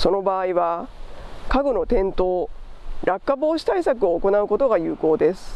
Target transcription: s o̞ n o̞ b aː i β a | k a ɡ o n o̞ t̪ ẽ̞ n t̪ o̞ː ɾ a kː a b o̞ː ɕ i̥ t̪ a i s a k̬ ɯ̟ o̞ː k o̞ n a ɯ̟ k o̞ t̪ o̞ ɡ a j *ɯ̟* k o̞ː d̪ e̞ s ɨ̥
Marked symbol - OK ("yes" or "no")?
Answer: no